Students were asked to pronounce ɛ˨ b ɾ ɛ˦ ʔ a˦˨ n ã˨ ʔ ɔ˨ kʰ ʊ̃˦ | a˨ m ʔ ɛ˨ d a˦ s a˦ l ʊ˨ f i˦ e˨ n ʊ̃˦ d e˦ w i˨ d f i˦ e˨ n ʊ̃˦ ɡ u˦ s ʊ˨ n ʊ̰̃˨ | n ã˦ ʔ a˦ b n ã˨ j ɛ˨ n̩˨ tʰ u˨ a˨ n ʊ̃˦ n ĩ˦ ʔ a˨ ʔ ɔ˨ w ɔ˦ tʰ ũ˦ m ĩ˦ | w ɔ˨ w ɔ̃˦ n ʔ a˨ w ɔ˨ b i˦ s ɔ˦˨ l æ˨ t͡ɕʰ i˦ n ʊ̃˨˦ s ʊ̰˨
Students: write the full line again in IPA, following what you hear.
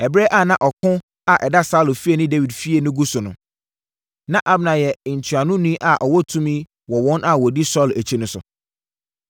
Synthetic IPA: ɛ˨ b ɾ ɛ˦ ʔ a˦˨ n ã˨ ʔ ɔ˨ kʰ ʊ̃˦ | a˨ ʔ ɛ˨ d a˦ s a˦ l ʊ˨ f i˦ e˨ n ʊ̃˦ d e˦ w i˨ d f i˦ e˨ n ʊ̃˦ ɡ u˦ s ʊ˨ n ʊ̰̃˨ | n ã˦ ʔ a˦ b n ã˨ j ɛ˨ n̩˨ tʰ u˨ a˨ n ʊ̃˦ n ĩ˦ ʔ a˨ ʔ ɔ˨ w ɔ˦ tʰ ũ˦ m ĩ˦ | w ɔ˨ w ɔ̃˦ n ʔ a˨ w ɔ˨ d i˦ s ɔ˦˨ l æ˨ t͡ɕʰ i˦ n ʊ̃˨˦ s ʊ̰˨